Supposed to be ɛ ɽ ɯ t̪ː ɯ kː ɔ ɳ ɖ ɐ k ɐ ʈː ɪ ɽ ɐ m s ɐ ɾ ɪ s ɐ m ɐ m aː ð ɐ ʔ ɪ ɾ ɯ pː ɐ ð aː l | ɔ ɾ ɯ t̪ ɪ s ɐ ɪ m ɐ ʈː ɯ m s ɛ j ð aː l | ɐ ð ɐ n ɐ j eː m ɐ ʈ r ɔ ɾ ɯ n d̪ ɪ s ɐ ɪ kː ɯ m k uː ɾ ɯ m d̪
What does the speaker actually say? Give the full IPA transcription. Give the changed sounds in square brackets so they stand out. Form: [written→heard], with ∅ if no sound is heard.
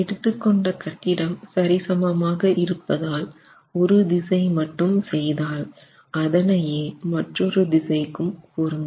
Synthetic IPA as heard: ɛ ɽ ɯ t̪ː ɯ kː ɔ ɳ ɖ ɐ k ɐ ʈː ɪ ɽ ɐ m s ɐ ɾ ɪ s ɐ m ɐ m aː [ð→ɣ] ɐ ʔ ɪ ɾ ɯ pː ɐ ð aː l | ɔ ɾ ɯ [t̪→d̪] ɪ s ɐ ɪ m ɐ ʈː ɯ m s ɛ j ð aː l | ɐ ð ɐ n ɐ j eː m ɐ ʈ r ɔ ɾ ɯ [n→∅] d̪ ɪ s ɐ ɪ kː ɯ m k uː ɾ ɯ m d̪

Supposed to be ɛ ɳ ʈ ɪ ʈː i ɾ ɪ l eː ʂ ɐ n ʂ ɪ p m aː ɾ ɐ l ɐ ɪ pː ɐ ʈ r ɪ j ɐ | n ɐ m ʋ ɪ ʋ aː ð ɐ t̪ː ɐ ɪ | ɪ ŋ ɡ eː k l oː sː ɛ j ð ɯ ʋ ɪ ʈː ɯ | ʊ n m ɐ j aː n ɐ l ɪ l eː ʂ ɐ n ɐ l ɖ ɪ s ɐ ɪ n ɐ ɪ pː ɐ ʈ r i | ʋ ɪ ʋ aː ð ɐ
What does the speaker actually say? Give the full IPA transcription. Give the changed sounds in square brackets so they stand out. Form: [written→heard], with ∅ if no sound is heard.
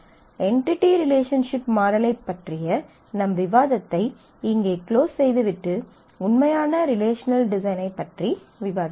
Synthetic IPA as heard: ɛ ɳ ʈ ɪ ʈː i ɾ ɪ l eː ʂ ɐ n ʂ ɪ p m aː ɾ ɐ l ɐ ɪ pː ɐ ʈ r ɪ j ɐ | n ɐ m ʋ ɪ ʋ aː ð ɐ t̪ː ɐ ɪ | ɪ ŋ ɡ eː k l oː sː ɛ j ð ɯ ʋ ɪ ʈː ɯ | ʊ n m ɐ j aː n ɐ [l→ɾ] ɪ l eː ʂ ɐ n ɐ l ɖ ɪ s ɐ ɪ n ɐ ɪ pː ɐ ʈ r i | ʋ ɪ ʋ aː ð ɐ

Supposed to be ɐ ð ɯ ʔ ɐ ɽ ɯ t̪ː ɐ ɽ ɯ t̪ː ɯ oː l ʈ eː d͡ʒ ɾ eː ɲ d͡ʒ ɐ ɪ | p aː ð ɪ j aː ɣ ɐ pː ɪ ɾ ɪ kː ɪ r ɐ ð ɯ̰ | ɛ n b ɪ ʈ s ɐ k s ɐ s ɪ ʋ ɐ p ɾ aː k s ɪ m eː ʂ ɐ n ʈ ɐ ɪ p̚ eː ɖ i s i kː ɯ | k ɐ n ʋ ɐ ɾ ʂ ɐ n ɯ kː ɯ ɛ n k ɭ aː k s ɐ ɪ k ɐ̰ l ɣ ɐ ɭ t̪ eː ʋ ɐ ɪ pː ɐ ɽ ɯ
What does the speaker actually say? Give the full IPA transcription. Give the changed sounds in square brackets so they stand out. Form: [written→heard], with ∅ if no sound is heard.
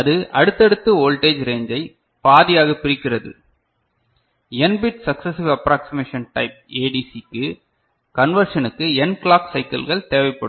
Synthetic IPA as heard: ɐ ð ɯ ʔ ɐ ɽ ɯ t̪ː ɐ ɽ ɯ t̪ː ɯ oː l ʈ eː d͡ʒ ɾ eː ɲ d͡ʒ ɐ ɪ | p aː ð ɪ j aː ɣ ɐ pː ɪ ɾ ɪ kː ɪ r ɐ ð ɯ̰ | ɛ n b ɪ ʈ s ɐ k s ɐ s ɪ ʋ ɐ p ɾ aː k s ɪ m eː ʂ ɐ n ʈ ɐ ɪ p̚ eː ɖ i s i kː ɯ | k ɐ n ʋ ɐ ɾ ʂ ɐ n ɯ kː ɯ ɛ n k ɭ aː k s ɐ ɪ k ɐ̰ l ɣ ɐ ɭ t̪ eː ʋ ɐ ɪ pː ɐ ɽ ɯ

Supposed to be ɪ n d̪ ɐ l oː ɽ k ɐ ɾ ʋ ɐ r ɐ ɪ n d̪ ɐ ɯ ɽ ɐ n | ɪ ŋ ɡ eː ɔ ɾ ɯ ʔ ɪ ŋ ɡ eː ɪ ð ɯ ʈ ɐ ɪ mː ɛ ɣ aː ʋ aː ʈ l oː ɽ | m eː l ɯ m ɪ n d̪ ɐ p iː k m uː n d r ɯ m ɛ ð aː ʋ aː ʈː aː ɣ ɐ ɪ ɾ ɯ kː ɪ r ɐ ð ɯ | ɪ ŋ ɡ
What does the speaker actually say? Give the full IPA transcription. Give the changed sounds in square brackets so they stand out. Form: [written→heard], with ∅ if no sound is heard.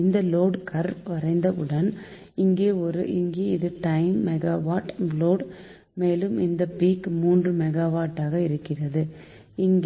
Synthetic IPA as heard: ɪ n d̪ ɐ l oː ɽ k ɐ ɾ ʋ ɐ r ɐ ɪ n d̪ ɐ ɯ ɽ ɐ n | ɪ ŋ ɡ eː ɔ ɾ ɯ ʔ ɪ ŋ ɡ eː ɪ ð ɯ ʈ ɐ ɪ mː ɛ ɣ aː ʋ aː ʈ l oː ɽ | m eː l ɯ m ɪ n d̪ ɐ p iː k m uː n d r ɯ m ɛ [ð→ɣ] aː ʋ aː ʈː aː ɣ ɐ ɪ ɾ ɯ kː ɪ r ɐ ð ɯ | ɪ ŋ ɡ

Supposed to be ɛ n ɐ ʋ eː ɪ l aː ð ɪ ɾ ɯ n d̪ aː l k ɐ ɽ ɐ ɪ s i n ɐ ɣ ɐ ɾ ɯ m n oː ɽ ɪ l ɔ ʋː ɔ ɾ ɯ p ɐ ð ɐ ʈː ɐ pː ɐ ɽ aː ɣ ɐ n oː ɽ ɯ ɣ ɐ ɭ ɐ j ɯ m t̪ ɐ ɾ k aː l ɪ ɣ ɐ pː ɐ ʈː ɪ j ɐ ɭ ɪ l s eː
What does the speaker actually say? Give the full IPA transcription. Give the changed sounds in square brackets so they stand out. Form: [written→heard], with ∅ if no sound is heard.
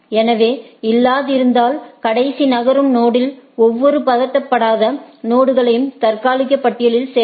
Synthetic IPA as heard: ɛ n ɐ ʋ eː ɪ [l→lː] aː ð ɪ ɾ ɯ n d̪ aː l k ɐ ɽ ɐ ɪ s i n ɐ ɣ ɐ ɾ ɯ m n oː ɽ ɪ l ɔ ʋː ɔ ɾ ɯ p ɐ ð ɐ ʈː ɐ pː ɐ ɽ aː [ɣ→ð] ɐ n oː ɽ ɯ ɣ ɐ ɭ ɐ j ɯ m t̪ ɐ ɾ k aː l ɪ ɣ ɐ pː ɐ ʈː ɪ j ɐ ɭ ɪ l s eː

